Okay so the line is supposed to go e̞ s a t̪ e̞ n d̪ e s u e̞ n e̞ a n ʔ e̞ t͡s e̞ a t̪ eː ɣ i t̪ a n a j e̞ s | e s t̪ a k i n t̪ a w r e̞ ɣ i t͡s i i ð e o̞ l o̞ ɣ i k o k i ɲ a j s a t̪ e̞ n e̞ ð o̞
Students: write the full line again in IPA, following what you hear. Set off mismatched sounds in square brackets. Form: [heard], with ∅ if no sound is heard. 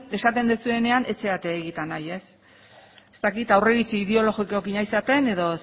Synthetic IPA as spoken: e̞ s a t̪ e̞ n d̪ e s u e̞ n e̞ a n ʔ e̞ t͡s e̞ a t̪ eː ɣ i t̪ a n a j e̞ s | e s t̪ a k i [∅] t̪ a w r e̞ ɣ i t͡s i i ð e o̞ l o̞ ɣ i k o k i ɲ a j s a t̪ e̞ n e̞ ð o̞